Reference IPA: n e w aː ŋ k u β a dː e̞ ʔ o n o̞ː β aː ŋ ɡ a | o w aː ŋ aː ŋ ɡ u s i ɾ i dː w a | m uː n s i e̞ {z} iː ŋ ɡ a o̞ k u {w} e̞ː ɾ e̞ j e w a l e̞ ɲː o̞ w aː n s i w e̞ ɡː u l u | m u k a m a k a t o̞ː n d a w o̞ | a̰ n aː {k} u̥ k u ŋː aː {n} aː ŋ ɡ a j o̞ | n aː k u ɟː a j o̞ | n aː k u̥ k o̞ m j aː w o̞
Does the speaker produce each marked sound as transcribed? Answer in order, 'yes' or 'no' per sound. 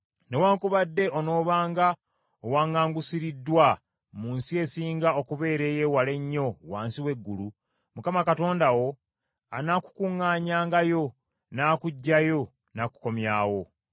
no, no, yes, no

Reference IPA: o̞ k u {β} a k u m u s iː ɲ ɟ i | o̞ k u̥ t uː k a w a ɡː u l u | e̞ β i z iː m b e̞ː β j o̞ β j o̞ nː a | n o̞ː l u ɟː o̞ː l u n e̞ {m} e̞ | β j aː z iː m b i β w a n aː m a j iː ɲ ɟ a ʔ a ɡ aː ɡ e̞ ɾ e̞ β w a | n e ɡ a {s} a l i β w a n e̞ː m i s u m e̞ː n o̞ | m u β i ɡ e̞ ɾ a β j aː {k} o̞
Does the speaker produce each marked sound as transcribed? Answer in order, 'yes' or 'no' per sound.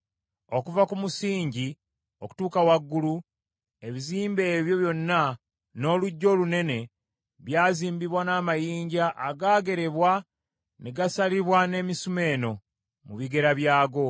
no, no, yes, no

